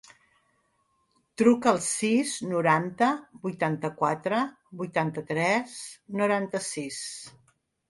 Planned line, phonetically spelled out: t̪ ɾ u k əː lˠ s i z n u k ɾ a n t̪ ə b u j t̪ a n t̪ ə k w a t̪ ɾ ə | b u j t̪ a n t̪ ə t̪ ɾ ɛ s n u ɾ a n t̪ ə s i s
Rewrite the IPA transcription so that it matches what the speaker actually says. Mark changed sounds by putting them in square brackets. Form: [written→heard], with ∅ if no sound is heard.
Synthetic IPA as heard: t̪ ɾ u k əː lˠ s i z n u [k→∅] ɾ a n t̪ ə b u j t̪ a n t̪ ə k w a t̪ ɾ ə | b u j t̪ a n t̪ ə t̪ ɾ ɛ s n u ɾ a n t̪ ə s i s